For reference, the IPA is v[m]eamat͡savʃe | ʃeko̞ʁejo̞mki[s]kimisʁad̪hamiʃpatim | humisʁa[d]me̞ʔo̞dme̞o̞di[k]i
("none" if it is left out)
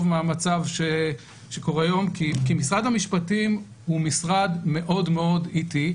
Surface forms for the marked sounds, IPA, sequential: m, none, d, t

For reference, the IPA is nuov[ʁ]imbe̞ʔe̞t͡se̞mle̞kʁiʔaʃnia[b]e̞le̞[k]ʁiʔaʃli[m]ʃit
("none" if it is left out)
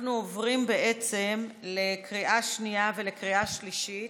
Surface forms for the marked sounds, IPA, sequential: ʁ, v, k, none

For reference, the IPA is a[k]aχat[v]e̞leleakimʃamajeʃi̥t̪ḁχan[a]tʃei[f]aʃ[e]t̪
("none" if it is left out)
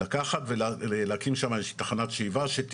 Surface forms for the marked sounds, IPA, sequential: k, v, a, v, e

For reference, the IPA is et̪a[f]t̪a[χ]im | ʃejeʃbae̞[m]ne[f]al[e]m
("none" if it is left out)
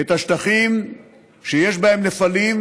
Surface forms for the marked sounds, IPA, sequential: ʃ, χ, m, f, i

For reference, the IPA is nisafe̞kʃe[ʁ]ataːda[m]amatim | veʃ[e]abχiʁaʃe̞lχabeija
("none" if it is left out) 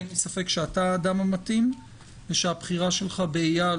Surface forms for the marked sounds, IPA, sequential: none, m, e

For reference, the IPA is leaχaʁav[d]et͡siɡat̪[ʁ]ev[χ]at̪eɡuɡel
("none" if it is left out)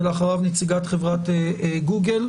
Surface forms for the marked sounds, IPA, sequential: n, χ, ʁ

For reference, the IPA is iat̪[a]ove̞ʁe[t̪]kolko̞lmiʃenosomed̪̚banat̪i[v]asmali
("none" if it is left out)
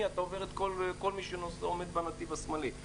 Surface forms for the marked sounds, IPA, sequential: a, t̪, v

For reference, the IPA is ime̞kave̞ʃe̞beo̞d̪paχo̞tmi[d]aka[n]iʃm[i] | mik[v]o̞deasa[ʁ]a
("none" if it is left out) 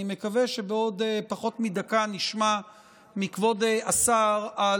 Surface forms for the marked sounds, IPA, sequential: d, n, a, v, ʁ

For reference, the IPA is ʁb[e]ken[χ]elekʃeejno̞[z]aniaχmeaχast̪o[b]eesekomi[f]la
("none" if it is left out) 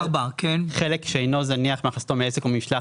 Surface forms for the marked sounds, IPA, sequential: a, χ, z, m, ʃ

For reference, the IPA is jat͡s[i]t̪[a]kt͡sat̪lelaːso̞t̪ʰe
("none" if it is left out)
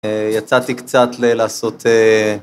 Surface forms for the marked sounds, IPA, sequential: a, i

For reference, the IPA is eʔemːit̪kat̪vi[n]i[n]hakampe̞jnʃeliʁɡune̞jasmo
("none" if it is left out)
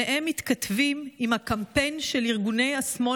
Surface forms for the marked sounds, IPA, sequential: m, m

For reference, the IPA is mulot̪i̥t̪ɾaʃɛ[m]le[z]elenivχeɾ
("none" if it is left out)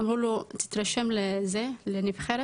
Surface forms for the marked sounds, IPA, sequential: m, z

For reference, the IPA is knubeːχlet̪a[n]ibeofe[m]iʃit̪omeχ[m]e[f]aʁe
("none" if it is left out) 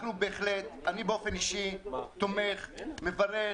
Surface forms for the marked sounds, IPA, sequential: n, n, m, v

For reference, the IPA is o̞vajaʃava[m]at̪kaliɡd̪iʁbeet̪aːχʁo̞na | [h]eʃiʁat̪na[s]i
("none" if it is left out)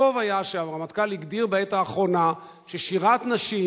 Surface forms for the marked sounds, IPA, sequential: m, ʃ, ʃ

